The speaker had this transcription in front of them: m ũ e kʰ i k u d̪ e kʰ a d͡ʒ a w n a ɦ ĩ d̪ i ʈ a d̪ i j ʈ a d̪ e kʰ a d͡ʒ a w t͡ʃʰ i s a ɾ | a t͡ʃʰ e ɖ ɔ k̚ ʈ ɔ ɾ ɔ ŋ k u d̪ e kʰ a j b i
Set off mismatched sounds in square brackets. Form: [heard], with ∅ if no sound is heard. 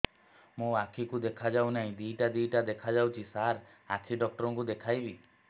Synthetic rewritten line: m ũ [a] kʰ i k u d̪ e kʰ a d͡ʒ a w n a ɦ ĩ d̪ i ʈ a d̪ i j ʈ a d̪ e kʰ a d͡ʒ a w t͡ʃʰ i s a ɾ | a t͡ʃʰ [i] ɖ ɔ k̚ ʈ ɔ ɾ ɔ ŋ k u d̪ e kʰ a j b i